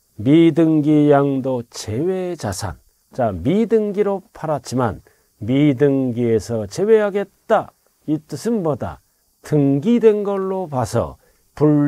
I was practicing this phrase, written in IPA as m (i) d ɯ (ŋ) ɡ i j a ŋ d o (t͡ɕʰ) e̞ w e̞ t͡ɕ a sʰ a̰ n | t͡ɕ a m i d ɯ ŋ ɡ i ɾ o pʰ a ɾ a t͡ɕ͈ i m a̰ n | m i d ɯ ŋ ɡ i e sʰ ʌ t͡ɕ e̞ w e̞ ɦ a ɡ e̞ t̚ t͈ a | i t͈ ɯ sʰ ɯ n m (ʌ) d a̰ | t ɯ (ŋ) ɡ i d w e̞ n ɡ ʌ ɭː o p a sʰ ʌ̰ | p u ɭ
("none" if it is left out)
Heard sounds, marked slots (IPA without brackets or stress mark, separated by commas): i, ŋ, t͡ɕ, ʌ, ŋ